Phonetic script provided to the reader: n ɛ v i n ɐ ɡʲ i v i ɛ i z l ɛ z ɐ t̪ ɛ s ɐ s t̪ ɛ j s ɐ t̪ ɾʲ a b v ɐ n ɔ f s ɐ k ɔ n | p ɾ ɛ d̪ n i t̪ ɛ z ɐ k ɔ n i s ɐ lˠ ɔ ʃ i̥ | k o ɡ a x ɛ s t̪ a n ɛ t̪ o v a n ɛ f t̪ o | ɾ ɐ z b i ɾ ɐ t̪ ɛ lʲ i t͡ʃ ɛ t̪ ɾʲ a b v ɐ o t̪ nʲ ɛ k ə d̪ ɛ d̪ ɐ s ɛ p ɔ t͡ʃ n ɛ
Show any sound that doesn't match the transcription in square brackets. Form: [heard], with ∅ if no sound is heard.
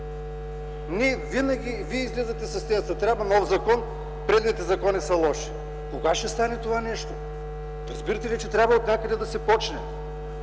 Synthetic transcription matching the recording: n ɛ v i n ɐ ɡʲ i v i ɛ i z l ɛ z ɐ t̪ ɛ s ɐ s t̪ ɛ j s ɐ t̪ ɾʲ a b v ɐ n ɔ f [z] ɐ k ɔ n | p ɾ ɛ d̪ n i t̪ ɛ z ɐ k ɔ n i s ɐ lˠ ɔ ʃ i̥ | k o ɡ a [ʃ] ɛ s t̪ a n ɛ t̪ o v a n ɛ [ʃ] t̪ o | ɾ ɐ z b i ɾ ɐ t̪ ɛ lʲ i t͡ʃ ɛ t̪ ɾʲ a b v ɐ o t̪ nʲ [a] k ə d̪ ɛ d̪ ɐ s ɛ p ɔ t͡ʃ n ɛ